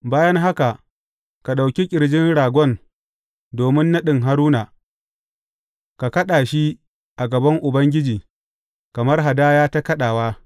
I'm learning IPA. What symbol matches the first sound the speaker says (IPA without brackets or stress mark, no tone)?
b